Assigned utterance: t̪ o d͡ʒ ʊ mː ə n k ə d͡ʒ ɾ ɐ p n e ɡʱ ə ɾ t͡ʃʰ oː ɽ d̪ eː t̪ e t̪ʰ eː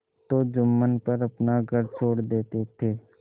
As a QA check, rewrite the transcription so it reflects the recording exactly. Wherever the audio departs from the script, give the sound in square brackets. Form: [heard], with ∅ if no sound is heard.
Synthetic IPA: t̪ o d͡ʒ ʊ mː ə n [p] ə [∅] ɾ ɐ p n [a] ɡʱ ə ɾ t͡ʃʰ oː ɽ d̪ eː t̪ e t̪ʰ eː